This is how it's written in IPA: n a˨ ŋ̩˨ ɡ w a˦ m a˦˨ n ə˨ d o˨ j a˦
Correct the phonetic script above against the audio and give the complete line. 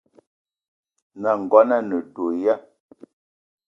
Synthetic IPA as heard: n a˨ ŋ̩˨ ɡ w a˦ n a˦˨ n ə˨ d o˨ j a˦